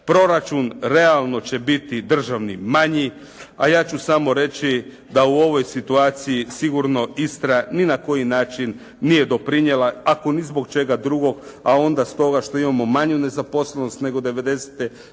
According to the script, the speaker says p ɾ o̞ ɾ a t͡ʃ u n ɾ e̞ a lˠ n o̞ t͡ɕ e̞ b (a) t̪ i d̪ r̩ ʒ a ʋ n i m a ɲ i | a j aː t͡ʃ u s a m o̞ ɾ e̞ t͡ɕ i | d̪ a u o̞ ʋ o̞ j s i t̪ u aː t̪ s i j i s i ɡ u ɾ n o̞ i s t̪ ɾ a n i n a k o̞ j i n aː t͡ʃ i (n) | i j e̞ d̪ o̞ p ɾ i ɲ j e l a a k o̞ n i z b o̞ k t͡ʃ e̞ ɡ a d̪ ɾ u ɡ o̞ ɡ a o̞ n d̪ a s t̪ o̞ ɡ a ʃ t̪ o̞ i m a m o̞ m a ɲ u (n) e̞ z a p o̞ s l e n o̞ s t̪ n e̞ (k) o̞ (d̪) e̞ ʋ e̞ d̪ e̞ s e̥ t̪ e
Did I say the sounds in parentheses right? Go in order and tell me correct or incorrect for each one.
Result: incorrect: i, incorrect: nː, correct, incorrect: ɡ, correct

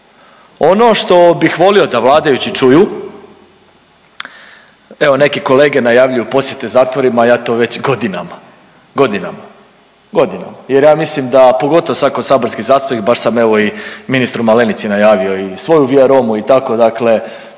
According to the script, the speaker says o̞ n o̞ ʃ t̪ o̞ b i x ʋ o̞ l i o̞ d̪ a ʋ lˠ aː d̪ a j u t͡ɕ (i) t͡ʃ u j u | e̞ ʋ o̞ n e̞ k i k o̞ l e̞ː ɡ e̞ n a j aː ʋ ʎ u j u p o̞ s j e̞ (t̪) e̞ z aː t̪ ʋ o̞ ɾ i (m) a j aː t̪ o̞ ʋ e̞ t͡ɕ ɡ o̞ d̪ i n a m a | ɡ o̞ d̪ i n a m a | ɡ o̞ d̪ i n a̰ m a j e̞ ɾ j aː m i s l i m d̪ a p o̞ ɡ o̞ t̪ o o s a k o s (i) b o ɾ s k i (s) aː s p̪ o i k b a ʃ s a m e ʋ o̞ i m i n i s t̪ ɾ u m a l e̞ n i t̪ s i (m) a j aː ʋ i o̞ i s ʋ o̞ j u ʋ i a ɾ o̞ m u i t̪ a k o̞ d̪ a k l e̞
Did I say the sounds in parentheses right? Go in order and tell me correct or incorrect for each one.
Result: correct, correct, correct, incorrect: a, incorrect: z, incorrect: n

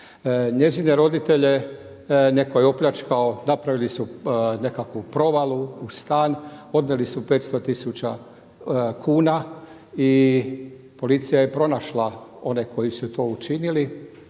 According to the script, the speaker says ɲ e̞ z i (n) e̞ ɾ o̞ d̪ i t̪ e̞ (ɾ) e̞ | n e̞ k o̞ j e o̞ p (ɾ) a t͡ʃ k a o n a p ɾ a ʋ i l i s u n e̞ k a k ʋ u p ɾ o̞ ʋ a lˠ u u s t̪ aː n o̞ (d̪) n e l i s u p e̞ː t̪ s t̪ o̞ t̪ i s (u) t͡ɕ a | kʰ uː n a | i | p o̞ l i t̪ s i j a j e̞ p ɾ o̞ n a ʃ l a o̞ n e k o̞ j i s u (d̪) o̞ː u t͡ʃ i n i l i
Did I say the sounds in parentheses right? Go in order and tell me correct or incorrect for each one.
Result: correct, incorrect: ʎ, incorrect: ʎ, correct, correct, incorrect: t̪

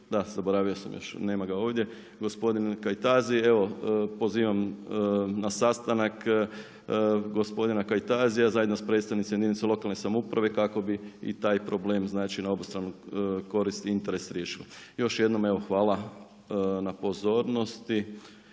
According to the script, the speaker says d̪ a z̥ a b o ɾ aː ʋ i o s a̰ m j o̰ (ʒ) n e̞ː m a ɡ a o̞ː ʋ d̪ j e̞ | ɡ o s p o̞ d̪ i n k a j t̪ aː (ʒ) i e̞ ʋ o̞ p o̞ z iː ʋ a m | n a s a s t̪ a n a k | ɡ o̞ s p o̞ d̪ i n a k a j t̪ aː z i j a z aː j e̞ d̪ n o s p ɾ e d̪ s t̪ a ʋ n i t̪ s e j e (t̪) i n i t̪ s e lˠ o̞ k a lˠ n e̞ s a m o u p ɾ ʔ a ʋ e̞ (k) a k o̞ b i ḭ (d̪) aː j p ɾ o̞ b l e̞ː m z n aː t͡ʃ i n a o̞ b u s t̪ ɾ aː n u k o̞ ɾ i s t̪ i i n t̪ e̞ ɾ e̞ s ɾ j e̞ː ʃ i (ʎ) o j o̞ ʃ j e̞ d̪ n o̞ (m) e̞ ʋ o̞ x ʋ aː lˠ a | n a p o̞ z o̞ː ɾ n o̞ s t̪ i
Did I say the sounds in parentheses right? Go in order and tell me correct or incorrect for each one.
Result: incorrect: ʃ, incorrect: z, incorrect: d̪, correct, incorrect: t̪, incorrect: l, correct

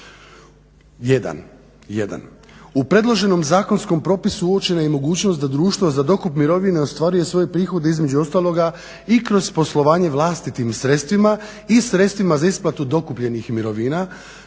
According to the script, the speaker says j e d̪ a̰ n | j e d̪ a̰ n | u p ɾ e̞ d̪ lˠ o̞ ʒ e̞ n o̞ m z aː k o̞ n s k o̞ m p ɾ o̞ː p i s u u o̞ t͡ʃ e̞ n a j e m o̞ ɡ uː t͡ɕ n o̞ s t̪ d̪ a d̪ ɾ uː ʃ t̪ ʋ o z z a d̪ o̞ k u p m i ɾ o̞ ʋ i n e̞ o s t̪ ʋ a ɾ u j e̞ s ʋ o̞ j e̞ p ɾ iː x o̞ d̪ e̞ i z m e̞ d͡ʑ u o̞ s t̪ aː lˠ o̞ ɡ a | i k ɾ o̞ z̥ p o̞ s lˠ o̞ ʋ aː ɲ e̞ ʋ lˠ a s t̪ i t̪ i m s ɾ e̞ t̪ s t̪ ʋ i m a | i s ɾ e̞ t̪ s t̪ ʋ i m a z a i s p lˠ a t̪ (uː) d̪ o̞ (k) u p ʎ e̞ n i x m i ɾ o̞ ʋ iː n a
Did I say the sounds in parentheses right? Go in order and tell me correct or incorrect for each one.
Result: incorrect: u, correct

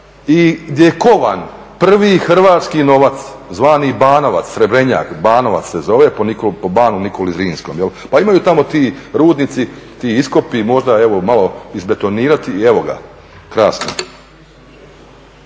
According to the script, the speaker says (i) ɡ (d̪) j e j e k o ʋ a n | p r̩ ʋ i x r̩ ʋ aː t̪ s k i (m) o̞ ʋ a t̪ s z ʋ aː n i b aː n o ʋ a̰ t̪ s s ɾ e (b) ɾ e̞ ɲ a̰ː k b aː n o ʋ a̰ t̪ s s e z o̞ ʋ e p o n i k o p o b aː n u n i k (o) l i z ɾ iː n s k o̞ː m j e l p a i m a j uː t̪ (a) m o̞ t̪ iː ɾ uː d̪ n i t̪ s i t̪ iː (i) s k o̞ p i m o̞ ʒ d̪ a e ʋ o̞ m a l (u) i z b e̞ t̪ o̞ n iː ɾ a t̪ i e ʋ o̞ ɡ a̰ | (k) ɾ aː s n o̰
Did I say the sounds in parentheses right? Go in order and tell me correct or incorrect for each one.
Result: correct, correct, incorrect: n, correct, correct, correct, correct, incorrect: o, correct

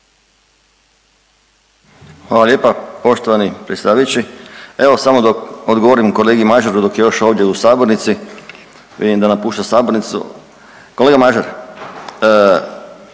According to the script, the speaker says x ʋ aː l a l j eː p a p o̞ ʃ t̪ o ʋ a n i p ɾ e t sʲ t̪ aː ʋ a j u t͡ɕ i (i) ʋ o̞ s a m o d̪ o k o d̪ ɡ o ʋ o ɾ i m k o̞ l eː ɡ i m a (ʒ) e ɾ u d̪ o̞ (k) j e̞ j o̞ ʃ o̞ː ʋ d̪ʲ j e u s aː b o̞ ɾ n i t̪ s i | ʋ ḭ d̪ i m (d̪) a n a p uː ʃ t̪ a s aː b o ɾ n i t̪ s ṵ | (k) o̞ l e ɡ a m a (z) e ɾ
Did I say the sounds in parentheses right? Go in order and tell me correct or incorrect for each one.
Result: incorrect: e, correct, correct, correct, correct, incorrect: ʒ

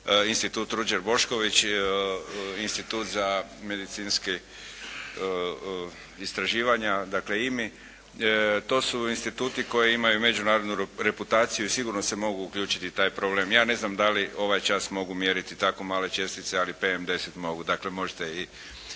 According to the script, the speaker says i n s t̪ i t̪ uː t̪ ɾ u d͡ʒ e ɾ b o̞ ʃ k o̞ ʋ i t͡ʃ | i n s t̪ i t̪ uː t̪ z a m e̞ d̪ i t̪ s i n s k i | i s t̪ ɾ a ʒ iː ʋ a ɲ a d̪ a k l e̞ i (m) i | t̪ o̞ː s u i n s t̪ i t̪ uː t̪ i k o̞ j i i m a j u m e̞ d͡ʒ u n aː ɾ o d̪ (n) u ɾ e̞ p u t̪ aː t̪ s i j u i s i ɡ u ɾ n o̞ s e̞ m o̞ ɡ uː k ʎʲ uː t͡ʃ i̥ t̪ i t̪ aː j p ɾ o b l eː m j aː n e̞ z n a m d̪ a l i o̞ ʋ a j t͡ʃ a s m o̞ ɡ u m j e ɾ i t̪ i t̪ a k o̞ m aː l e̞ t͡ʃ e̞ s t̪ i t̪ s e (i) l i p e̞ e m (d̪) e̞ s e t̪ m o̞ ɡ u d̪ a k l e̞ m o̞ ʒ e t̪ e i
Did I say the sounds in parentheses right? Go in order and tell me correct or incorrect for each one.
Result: correct, correct, incorrect: a, correct

